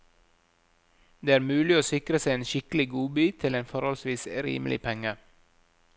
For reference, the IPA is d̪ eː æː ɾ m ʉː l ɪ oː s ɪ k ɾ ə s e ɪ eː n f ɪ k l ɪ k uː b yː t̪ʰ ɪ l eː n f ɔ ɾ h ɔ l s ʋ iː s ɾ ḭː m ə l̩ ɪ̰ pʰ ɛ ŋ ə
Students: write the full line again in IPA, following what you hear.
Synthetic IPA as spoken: d̪ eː æː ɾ m ʉː l ɪ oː s ɪ k ɾ ə s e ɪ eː n ʃ ɪ k l ɪ ɡ uː b yː t̪ʰ ɪ l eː n f ɔ ɾ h ɔ l s ʋ iː s ɾ ḭː m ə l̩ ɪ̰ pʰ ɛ ŋ ə